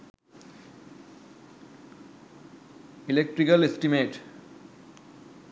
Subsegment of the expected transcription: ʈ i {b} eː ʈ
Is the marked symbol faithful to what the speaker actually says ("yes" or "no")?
no